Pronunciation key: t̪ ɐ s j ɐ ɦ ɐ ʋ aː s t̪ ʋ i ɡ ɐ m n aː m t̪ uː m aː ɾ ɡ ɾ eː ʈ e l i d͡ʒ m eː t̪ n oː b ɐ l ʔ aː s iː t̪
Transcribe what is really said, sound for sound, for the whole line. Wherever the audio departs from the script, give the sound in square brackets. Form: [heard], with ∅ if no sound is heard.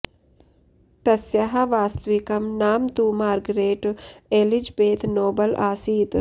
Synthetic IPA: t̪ ɐ s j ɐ ɦ ɐ ʋ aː s t̪ ʋ i [k] ɐ m n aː m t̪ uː m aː ɾ ɡ ɾ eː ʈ e l i d͡ʒ [b] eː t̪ n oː b ɐ l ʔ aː s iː t̪